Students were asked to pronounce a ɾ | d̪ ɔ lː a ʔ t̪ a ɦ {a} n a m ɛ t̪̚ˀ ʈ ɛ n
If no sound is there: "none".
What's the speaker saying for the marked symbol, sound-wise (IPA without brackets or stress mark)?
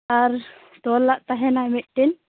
ɛ